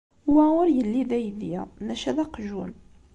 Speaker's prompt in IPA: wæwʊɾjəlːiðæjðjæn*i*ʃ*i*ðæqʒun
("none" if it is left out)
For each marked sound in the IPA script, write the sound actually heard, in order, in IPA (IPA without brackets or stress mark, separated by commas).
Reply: æ, æ